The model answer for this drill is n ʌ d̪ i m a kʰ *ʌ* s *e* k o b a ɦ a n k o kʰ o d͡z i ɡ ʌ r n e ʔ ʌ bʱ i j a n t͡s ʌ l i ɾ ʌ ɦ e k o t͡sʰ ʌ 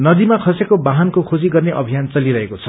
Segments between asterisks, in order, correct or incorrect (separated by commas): correct, correct